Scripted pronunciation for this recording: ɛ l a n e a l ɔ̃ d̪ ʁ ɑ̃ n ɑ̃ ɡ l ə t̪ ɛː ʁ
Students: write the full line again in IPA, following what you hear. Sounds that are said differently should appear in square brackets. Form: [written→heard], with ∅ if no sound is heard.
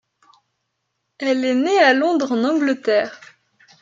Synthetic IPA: ɛ l [a→ɛ] n e a l ɔ̃ d̪ ʁ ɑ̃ n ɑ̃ ɡ l ə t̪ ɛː ʁ